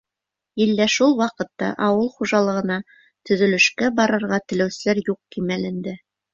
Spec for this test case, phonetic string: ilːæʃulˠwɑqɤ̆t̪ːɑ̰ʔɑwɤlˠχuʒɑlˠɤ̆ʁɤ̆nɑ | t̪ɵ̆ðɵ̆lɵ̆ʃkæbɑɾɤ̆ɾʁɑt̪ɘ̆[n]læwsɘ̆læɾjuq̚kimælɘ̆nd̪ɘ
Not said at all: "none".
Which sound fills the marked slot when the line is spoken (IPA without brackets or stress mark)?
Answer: none